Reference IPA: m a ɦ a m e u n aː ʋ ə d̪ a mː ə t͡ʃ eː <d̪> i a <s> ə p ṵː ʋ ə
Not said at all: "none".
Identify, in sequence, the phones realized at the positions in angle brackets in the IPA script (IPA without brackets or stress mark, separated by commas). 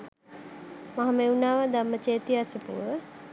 t̪, s